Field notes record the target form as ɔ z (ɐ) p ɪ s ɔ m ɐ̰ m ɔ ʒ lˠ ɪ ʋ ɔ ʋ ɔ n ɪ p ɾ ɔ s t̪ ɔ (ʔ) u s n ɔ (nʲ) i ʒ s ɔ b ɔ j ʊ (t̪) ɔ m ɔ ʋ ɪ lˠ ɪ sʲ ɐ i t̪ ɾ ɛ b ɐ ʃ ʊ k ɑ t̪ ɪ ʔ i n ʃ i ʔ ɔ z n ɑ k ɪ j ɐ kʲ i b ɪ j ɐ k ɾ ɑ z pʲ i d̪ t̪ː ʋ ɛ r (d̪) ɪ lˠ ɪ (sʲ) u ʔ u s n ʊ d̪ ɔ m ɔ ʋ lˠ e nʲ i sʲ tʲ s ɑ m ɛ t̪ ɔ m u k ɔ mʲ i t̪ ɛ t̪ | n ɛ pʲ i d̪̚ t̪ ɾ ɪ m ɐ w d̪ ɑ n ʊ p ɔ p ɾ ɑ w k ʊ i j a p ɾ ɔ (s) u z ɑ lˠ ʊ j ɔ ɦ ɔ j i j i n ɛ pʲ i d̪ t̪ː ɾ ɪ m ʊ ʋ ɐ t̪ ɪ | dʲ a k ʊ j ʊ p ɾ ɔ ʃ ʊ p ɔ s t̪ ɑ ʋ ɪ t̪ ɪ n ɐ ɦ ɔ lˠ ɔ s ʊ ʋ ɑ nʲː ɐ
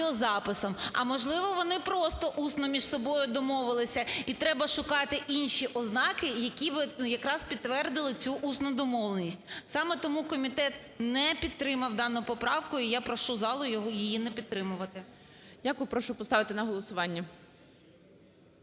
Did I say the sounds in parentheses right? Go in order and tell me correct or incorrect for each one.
incorrect: ɑ, correct, incorrect: mʲ, incorrect: d̪, correct, incorrect: t͡sʲ, incorrect: ʃ

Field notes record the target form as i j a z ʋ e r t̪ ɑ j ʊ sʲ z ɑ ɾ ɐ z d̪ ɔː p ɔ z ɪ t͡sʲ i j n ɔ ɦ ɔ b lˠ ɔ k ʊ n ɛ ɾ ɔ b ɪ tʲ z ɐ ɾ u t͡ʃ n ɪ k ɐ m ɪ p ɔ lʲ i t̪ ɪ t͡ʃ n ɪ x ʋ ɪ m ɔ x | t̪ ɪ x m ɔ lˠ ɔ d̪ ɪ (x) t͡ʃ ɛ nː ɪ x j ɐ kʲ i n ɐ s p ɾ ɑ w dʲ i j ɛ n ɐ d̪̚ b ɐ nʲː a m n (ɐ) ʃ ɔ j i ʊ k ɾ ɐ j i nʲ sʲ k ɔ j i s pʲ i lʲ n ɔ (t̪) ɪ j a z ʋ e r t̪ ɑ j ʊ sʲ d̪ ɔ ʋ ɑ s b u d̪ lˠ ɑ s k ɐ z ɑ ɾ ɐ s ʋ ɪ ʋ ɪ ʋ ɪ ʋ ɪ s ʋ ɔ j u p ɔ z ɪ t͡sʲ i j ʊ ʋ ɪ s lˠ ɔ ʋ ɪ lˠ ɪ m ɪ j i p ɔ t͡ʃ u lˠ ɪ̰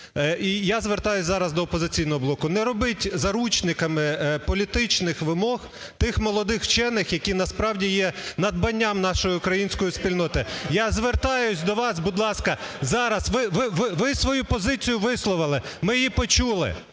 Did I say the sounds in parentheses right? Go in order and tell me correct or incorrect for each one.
correct, incorrect: ɑ, correct

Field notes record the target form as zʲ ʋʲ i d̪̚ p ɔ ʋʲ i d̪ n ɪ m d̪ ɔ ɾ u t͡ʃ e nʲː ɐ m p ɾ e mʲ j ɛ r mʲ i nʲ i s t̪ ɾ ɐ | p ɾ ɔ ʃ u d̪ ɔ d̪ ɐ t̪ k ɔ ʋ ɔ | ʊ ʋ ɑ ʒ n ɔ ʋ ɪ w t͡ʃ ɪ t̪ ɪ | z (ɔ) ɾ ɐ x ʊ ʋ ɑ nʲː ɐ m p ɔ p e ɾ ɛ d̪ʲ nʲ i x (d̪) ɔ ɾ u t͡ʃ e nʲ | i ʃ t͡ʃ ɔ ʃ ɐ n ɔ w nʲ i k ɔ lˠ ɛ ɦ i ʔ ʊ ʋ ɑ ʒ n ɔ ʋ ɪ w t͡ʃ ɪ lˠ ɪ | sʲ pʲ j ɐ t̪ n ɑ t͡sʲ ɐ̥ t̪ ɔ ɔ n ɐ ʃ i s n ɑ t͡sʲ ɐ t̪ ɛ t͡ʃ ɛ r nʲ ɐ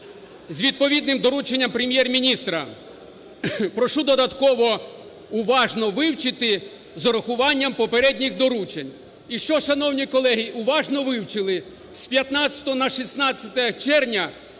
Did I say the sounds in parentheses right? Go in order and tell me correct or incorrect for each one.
correct, correct

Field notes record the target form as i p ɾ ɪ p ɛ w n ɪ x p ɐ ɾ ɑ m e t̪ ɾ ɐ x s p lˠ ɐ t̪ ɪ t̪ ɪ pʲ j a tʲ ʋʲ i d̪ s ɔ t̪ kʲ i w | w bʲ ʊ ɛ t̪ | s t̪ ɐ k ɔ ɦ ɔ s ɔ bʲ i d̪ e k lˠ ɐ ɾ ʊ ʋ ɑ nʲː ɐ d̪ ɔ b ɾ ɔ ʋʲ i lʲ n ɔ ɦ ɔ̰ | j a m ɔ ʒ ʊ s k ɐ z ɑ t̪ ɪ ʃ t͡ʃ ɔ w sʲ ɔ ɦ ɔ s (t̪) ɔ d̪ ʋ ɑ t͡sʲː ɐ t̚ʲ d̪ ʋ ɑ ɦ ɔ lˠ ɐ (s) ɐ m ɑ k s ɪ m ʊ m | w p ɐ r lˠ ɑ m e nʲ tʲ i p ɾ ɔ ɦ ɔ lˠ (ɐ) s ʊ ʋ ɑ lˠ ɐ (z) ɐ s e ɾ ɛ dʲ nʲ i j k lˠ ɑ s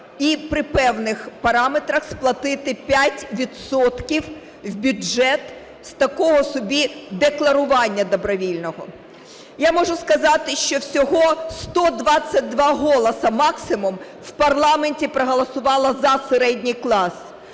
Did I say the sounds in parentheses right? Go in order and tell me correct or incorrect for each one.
correct, correct, correct, correct

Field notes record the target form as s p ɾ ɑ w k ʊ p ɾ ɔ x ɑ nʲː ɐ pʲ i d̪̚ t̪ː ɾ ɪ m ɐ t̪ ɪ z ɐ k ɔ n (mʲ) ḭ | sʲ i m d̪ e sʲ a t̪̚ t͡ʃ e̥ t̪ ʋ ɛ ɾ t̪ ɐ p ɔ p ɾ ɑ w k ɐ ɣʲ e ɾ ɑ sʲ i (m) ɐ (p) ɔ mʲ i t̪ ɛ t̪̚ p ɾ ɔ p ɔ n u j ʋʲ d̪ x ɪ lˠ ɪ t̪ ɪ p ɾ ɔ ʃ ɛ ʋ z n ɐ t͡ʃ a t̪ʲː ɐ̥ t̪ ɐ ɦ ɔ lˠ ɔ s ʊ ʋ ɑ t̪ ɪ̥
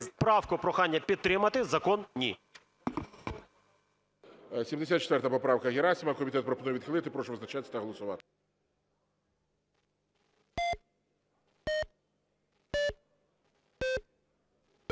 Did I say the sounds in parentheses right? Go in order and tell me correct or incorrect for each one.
incorrect: nʲ, correct, incorrect: k

